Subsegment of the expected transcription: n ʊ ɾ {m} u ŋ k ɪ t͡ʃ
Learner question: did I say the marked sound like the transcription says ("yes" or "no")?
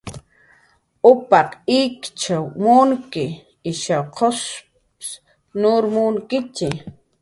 yes